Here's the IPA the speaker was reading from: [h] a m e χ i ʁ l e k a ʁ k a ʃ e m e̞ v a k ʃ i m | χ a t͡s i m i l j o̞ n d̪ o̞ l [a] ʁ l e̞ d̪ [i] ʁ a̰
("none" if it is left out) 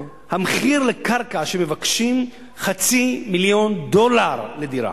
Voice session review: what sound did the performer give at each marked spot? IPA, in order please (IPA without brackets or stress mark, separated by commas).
h, a, i